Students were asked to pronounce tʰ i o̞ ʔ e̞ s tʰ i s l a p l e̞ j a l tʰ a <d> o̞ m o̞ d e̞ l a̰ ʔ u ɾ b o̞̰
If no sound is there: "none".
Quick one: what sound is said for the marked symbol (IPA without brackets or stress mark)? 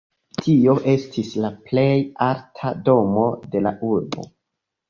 d